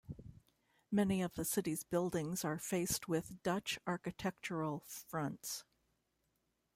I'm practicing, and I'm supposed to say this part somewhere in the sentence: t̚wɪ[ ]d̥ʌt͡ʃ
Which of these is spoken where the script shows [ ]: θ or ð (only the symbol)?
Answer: ð